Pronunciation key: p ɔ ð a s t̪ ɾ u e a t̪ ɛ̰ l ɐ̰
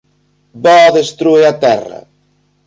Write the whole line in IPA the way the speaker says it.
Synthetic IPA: b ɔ ð e s t̪ ɾ u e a t̪ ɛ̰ r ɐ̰